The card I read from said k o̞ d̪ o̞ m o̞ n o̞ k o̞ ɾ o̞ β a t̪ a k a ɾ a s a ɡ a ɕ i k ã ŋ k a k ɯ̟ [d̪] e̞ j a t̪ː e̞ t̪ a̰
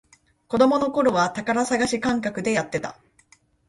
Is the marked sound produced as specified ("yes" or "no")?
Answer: yes